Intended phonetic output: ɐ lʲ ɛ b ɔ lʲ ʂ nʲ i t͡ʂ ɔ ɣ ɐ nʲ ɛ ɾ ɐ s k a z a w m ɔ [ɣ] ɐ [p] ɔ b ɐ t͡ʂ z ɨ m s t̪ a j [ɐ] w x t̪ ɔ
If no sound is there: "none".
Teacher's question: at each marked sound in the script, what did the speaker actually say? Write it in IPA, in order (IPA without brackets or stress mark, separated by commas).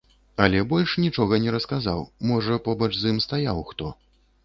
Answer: ʐ, p, a